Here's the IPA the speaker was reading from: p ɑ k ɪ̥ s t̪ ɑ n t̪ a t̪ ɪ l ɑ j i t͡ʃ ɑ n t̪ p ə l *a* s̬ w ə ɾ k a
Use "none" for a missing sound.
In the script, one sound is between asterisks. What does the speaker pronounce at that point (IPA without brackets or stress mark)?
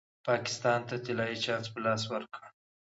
ɑ